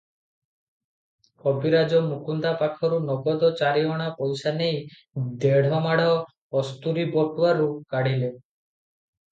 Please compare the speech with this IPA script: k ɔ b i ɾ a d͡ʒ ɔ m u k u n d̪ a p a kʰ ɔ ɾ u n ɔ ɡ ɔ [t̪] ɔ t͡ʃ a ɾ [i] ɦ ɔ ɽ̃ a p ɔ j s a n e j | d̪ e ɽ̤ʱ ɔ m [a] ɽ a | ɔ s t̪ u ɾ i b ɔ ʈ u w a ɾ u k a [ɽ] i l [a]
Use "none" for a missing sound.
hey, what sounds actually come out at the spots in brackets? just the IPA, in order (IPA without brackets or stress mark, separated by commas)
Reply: d̪, i, a, ɽ, e